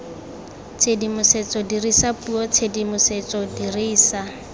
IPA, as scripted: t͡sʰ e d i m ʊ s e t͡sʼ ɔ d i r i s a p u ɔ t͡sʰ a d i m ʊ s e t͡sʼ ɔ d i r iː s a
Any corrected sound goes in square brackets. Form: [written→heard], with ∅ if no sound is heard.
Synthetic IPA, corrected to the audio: t͡sʰ e d i m ʊ s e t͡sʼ ɔ d i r i s a p u ɔ t͡sʰ [a→e] d i m ʊ s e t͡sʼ ɔ d i r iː s a